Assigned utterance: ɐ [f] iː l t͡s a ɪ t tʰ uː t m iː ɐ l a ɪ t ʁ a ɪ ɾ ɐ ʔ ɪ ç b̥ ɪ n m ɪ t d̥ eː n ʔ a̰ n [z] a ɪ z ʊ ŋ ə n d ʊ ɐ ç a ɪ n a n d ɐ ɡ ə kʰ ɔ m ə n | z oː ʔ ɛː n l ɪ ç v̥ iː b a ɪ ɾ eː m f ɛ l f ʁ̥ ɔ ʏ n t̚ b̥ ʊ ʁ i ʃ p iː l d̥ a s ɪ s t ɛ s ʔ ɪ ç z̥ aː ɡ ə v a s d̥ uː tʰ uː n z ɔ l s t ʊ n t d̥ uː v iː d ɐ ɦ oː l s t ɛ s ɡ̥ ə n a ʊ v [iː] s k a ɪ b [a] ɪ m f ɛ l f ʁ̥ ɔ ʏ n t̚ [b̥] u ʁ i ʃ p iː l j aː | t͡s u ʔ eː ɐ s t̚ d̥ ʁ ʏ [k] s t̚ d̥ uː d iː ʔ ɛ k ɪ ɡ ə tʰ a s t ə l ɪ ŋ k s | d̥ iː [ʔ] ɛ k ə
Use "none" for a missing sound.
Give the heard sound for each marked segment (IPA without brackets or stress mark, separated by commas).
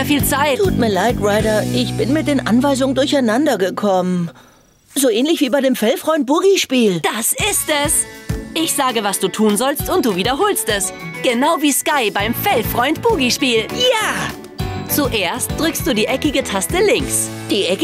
f, v, iː, a, b̥, k, ʔ